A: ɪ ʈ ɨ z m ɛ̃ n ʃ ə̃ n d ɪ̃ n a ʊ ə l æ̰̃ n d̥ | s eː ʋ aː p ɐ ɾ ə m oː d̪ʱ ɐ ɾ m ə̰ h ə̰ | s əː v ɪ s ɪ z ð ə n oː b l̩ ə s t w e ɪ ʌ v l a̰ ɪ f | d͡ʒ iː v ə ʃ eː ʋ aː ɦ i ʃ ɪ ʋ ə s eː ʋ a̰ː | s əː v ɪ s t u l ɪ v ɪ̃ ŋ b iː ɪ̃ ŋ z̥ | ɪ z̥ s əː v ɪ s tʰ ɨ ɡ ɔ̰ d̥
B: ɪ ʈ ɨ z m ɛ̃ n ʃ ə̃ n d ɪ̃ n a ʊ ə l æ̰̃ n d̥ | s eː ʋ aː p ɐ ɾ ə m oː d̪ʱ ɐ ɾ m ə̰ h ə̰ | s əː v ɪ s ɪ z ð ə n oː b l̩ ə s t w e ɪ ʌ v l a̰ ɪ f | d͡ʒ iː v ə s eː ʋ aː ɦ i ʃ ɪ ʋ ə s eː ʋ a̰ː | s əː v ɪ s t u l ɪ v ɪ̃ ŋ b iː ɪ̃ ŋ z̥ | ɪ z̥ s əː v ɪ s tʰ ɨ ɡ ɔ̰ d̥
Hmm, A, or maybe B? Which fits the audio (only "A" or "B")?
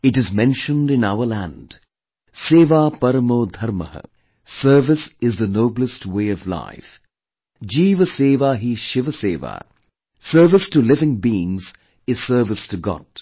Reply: B